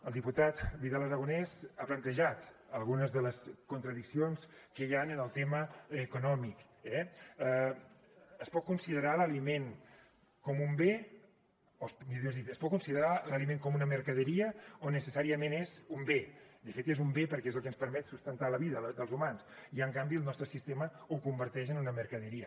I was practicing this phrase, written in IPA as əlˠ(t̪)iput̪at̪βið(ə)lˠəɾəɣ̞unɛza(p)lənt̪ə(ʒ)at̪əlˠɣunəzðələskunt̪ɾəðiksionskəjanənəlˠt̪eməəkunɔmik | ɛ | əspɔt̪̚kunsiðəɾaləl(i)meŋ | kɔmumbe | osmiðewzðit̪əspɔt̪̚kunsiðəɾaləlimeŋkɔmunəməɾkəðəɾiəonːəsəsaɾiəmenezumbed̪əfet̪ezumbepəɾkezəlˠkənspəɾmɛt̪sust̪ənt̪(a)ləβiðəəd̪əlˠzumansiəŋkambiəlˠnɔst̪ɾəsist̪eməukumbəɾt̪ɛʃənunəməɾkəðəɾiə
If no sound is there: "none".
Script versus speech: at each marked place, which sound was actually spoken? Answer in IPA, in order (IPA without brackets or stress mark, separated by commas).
d̪, a, p, ʒ, i, a